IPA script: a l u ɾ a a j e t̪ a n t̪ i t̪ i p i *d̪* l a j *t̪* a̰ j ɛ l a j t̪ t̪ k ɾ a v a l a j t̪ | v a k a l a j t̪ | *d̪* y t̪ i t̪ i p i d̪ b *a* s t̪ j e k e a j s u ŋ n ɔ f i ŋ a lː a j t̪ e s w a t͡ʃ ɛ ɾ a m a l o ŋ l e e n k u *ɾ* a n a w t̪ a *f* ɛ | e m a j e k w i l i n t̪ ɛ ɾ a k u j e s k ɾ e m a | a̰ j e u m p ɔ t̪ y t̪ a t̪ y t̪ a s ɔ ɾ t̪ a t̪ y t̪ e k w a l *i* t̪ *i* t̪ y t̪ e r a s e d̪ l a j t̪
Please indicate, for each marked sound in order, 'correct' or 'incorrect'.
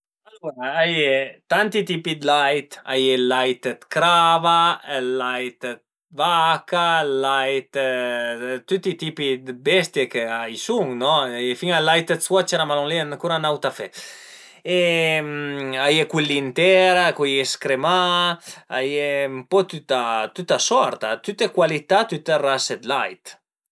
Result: correct, correct, incorrect: t̪, incorrect: ɛ, correct, correct, correct, incorrect: a

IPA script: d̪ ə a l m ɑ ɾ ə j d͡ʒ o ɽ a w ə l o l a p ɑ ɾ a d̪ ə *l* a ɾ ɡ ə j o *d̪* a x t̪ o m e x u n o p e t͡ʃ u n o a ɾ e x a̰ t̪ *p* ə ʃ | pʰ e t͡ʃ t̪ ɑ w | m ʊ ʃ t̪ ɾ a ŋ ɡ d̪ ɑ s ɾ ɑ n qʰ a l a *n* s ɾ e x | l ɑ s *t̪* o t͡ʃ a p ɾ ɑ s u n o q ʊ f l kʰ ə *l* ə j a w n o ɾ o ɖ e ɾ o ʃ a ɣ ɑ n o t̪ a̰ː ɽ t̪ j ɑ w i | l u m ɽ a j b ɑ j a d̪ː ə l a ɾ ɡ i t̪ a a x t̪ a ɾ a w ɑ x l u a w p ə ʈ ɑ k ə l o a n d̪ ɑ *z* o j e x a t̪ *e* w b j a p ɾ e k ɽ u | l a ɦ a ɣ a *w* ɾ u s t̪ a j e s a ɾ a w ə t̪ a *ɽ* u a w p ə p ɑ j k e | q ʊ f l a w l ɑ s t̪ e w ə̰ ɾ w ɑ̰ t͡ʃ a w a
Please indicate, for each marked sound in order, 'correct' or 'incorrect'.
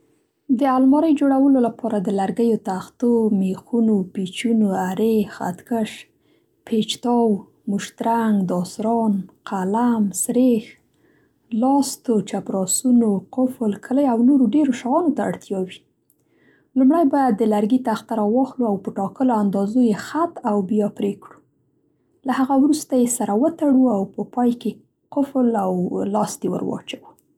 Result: correct, incorrect: t̪, incorrect: k, incorrect: m, correct, correct, correct, incorrect: a, correct, correct

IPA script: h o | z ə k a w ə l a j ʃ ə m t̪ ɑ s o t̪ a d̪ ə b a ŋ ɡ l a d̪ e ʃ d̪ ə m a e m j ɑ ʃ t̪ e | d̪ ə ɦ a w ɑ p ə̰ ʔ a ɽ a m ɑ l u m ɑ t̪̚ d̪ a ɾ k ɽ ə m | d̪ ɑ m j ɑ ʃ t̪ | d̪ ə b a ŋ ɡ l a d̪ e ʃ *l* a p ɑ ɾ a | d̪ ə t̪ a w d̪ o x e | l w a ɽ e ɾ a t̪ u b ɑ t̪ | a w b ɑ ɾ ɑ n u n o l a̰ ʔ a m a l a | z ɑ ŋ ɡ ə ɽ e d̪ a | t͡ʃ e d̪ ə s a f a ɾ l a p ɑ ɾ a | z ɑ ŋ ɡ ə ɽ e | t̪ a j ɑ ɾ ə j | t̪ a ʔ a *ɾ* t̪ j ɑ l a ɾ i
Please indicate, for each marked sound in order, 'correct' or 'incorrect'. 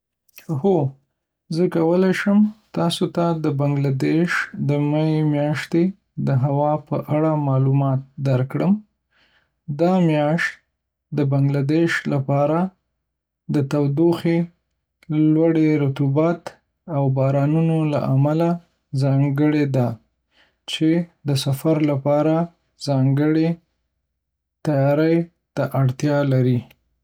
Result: correct, incorrect: ɽ

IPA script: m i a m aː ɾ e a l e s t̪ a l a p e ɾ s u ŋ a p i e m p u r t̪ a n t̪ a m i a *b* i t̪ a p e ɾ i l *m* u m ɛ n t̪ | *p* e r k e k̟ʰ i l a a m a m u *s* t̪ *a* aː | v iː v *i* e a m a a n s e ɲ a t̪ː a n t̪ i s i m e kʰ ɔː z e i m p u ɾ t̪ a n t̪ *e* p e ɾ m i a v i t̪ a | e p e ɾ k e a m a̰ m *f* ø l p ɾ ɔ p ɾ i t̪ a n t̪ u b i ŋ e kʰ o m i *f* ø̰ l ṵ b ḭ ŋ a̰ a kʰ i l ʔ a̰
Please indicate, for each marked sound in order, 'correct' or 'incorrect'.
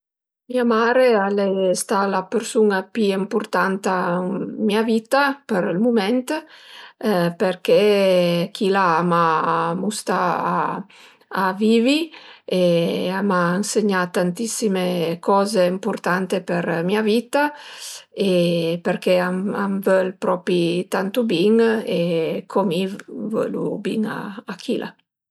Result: incorrect: v, correct, correct, correct, correct, correct, correct, incorrect: v, incorrect: v

